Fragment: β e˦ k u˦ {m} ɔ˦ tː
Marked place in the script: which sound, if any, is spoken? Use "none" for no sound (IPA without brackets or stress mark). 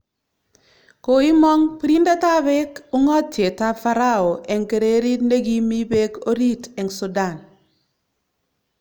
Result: ŋ